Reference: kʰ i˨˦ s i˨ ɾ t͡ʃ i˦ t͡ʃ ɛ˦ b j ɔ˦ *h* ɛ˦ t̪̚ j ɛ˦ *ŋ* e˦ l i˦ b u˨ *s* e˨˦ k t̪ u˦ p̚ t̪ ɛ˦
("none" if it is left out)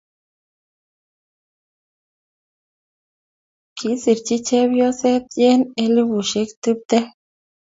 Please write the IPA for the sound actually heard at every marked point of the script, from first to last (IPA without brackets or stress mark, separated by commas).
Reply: s, n, ʃ